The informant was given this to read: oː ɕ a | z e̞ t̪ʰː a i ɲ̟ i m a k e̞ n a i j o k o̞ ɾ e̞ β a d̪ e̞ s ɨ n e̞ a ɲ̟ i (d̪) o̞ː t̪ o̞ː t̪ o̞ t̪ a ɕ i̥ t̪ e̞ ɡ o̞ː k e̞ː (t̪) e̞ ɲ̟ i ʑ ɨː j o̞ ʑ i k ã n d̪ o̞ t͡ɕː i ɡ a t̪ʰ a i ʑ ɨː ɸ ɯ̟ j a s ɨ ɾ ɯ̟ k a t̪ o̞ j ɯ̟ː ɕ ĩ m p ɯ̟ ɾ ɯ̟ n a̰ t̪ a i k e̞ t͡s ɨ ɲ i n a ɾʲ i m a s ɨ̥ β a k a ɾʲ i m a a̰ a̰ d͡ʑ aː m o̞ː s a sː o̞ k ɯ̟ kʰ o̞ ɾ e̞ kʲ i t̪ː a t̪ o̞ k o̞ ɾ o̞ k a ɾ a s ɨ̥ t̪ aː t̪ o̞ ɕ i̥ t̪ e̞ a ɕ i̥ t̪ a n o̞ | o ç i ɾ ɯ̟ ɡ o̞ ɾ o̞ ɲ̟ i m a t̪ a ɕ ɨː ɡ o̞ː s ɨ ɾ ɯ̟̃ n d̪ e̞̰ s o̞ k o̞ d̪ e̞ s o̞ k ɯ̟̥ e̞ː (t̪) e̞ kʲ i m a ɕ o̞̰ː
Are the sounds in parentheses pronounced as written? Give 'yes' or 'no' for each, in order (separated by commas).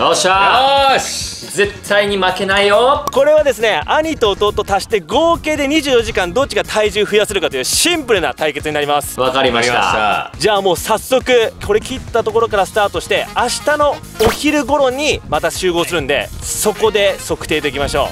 no, no, no